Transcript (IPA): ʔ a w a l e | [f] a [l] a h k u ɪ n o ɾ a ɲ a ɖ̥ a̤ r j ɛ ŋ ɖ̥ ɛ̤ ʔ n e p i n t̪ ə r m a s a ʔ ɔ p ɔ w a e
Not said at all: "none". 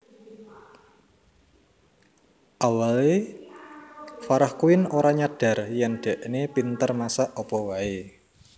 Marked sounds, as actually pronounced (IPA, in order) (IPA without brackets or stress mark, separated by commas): f, ɾ